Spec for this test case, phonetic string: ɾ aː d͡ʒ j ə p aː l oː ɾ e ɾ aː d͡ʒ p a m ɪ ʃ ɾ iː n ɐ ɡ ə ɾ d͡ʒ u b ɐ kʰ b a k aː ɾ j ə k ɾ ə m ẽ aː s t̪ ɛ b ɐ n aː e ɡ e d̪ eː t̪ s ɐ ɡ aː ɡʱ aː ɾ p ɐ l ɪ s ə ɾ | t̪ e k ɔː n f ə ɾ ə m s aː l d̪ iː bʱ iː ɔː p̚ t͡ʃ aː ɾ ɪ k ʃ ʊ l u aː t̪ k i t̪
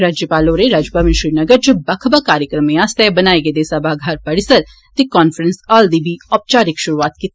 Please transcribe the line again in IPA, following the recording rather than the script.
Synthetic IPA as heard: ɾ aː d͡ʒ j ə p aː l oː ɾ e ɾ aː d͡ʒ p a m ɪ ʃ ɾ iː n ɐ ɡ ə ɾ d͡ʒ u b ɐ kʰ b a k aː ɾ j ə k ɾ ə m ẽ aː s t̪ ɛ b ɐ n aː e ɡ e d̪ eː s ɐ b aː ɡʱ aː ɾ p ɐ ɽ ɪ s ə ɾ | t̪ e k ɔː n f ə ɾ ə n s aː l d̪ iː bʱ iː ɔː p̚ t͡ʃ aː ɾ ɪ k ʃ ʊ ɾ u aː t̪ k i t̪